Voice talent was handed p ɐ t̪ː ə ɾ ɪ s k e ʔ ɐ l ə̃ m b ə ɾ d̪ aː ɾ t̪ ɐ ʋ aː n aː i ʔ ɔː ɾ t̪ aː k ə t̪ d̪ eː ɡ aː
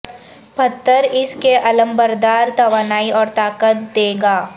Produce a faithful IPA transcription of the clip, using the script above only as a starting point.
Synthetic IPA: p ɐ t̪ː ə ɾ ɪ s k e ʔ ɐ l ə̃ m b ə ɾ d̪ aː ɾ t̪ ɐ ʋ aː n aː i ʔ ɔː ɾ t̪ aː k ə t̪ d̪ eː ɡ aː